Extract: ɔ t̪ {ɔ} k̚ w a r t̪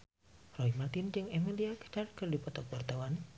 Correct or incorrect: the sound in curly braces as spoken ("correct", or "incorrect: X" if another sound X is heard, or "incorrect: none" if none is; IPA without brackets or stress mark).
correct